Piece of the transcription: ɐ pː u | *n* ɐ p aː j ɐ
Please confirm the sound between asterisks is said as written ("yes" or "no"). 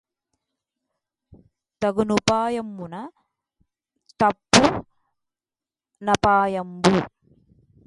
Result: yes